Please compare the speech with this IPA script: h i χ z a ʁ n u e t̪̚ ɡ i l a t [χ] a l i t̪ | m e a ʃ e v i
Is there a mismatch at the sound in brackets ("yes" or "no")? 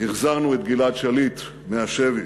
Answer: yes